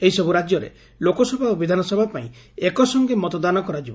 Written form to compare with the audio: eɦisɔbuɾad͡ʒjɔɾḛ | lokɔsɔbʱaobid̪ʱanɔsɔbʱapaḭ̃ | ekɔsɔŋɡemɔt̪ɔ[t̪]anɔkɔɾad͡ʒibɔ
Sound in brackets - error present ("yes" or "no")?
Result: yes